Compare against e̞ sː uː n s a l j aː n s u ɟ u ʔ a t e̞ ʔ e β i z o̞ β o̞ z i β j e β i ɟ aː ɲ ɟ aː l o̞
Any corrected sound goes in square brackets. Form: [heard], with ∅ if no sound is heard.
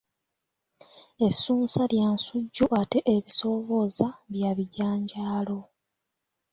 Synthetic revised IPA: e̞ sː uː n s a l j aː n s u [ɟː] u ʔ a t e̞ ʔ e β i [s] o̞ β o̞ z [a] β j [a] β i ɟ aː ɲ ɟ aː l o̞